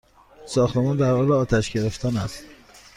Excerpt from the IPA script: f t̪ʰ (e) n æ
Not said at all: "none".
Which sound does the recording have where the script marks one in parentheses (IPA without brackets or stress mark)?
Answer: æ